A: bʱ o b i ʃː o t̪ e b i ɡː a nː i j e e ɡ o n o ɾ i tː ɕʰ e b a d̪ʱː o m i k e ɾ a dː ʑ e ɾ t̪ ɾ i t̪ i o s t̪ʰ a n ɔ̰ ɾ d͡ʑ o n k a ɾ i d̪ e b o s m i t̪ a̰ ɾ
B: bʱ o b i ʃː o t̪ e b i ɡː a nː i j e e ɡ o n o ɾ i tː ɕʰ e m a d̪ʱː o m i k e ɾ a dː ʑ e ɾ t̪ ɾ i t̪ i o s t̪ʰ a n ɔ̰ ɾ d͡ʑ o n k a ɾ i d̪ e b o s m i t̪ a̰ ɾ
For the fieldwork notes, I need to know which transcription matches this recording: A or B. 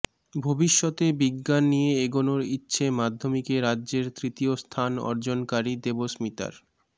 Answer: B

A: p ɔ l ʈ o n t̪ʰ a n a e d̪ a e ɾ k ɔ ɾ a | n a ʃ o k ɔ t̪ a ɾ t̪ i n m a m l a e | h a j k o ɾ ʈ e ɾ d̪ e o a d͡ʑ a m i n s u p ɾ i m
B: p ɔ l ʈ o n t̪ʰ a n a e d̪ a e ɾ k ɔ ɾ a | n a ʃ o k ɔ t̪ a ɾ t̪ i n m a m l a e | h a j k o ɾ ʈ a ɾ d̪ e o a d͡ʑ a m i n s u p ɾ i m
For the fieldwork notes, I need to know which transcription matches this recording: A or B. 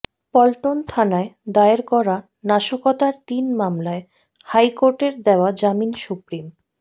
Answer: A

